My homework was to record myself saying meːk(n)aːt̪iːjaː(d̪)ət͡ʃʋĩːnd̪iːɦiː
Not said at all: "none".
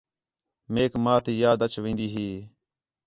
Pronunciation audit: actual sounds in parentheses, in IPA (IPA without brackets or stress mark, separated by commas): m, d̪